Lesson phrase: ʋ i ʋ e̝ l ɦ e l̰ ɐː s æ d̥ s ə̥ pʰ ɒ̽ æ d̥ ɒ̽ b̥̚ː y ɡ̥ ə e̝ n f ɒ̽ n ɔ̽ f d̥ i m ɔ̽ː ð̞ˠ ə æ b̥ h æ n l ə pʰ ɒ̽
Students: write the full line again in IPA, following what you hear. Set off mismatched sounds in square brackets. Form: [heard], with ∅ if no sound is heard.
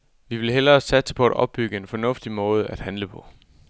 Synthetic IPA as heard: ʋ i ʋ e̝ l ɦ e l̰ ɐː s æ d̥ s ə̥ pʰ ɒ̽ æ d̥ ɒ̽ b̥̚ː y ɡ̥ ə e̝ n f ɒ̽ n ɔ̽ f d̥ i m ɔ̽ː ð̞ˠ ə æ [d̥] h æ n l ə pʰ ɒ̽